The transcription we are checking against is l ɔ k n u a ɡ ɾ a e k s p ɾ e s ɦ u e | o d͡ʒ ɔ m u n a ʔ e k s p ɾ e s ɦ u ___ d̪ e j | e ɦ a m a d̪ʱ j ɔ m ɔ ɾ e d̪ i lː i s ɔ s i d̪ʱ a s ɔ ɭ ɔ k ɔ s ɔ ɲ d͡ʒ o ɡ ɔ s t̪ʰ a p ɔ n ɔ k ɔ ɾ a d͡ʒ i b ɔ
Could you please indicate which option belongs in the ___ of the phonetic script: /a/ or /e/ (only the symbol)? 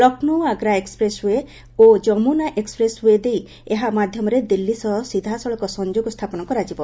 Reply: e